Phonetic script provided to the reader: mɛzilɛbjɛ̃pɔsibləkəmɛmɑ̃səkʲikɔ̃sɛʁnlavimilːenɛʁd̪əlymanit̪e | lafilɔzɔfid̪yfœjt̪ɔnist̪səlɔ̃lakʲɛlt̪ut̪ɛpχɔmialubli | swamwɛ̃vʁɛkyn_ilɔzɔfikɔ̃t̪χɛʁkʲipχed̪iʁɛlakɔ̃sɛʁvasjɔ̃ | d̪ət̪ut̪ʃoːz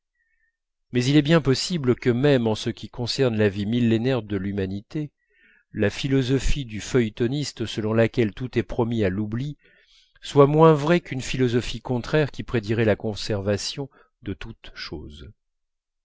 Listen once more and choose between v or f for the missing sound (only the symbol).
f